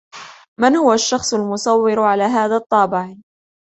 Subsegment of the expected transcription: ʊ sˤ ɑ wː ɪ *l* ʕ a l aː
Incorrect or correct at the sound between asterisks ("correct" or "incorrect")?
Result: incorrect